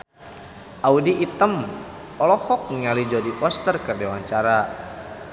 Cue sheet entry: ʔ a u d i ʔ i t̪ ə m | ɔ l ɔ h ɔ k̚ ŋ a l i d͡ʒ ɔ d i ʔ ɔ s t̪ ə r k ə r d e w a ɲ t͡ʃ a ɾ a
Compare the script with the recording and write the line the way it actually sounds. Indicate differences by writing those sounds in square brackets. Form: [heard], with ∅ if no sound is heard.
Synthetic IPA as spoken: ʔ a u d i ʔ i t̪ ə m | ɔ l ɔ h ɔ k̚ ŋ a l i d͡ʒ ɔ d i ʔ ɔ s t̪ ə r k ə r d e w a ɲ t͡ʃ a ɾ a

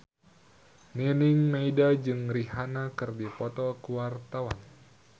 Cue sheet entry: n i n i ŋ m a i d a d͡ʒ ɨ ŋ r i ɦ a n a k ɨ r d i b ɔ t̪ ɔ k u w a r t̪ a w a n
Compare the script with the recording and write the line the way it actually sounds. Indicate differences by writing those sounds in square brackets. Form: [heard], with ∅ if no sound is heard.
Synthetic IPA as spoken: n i n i ŋ m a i d a d͡ʒ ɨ ŋ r i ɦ a n a k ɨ r d i [p] ɔ t̪ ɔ k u w a r t̪ a w a n

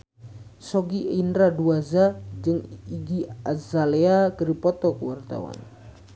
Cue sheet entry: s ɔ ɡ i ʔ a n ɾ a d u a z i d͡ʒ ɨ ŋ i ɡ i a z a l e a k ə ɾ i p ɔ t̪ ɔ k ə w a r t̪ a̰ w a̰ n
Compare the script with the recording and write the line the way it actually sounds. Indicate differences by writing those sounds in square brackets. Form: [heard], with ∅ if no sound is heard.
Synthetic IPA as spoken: s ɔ ɡ i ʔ [i] n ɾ a d u a z [a] d͡ʒ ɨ ŋ i ɡ i a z a l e a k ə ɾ i p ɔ t̪ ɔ k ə w a r t̪ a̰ w a̰ n

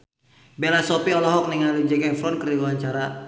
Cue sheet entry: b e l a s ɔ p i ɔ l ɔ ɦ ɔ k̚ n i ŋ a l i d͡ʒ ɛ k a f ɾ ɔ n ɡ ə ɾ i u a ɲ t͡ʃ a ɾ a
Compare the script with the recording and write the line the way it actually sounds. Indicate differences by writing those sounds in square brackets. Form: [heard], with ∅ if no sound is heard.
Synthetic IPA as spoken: b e l a s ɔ p i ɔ l ɔ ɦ ɔ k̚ n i ŋ a l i d͡ʒ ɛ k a f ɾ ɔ n [k] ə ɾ i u a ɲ t͡ʃ a ɾ a

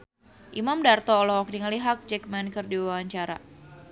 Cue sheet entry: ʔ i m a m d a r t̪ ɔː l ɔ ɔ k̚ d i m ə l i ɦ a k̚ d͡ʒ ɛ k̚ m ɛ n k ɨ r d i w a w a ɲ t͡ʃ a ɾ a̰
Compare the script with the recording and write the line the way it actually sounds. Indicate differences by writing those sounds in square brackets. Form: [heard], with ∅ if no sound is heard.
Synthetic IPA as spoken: ʔ i m a m d a r t̪ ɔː l ɔ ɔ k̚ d i [ŋ] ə l i ɦ a k̚ d͡ʒ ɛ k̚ m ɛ n k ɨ r d i w a w a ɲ t͡ʃ a ɾ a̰

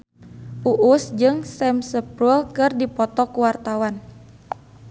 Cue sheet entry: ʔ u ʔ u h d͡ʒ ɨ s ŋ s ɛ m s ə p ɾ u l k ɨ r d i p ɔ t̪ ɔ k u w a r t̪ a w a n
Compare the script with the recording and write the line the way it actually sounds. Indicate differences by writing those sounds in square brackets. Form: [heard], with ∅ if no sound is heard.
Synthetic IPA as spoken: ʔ u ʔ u [s] d͡ʒ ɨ [∅] ŋ s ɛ m s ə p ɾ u l k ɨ r d i p ɔ t̪ ɔ k u w a r t̪ a w a n

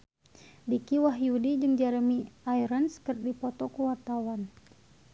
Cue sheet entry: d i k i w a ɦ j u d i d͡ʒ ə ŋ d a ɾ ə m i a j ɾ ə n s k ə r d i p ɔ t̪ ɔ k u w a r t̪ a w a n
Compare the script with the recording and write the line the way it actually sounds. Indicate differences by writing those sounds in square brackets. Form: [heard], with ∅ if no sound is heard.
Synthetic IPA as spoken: d i k i w a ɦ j u d i d͡ʒ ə ŋ [d͡ʒ] a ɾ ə m i a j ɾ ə n s k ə r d i p ɔ t̪ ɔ k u w a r t̪ a w a n

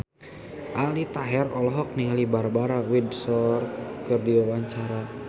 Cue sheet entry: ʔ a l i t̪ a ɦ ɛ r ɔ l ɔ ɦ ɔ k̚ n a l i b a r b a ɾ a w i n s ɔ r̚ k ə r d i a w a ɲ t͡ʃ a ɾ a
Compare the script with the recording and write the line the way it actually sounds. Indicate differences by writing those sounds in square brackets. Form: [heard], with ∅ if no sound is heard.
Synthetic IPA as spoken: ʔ a l i t̪ a ɦ ɛ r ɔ l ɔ ɦ ɔ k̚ n [i] l i b a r b a ɾ a w i [d] s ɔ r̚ k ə r d i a w a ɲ t͡ʃ a ɾ a

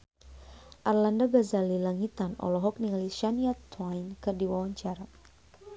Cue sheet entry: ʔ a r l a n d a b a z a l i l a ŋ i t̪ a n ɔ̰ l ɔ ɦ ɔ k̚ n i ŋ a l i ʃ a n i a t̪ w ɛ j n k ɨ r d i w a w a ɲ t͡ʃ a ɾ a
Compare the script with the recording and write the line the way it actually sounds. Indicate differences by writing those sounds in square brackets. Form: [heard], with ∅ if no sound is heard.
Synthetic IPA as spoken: ʔ a r l a n d a b a z a l i l a ŋ i t̪ a n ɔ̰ l ɔ ɦ ɔ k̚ n i ŋ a l i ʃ a n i a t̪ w [a] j n k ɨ r d i w a w a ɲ t͡ʃ a ɾ a

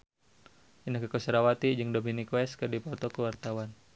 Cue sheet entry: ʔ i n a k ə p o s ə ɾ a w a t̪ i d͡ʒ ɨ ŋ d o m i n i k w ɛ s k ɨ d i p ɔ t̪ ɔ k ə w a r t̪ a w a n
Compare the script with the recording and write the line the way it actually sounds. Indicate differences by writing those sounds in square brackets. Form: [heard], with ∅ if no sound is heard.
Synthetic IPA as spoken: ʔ i n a k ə [k] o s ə ɾ a w a t̪ i d͡ʒ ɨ ŋ d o m i n i k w ɛ s k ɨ d i p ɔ t̪ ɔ k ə w a r t̪ a w a n

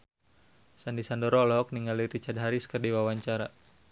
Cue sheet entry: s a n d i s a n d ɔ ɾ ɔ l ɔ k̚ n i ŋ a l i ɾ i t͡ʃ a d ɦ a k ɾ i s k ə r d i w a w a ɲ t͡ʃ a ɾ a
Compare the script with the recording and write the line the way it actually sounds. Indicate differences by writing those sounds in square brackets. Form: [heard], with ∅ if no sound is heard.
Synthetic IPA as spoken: s a n d i s a n d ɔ ɾ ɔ l ɔ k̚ n i ŋ a l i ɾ i t͡ʃ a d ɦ a [∅] ɾ i s k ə r d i w a w a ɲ t͡ʃ a ɾ a

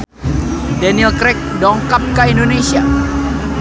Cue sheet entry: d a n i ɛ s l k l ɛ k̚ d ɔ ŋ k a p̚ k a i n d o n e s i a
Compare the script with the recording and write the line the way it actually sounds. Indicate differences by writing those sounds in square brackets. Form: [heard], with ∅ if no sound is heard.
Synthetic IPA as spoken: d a n i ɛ [∅] l k [ɾ] ɛ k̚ d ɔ ŋ k a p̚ k a i n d o n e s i a

